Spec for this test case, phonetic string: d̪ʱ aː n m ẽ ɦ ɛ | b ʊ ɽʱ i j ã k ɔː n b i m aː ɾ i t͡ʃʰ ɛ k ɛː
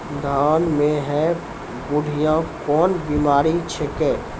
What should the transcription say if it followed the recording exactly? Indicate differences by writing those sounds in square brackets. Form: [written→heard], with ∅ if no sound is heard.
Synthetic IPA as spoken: d̪ʱ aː n m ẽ ɦ ɛ | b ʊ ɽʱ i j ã k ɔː n b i m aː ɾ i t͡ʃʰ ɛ k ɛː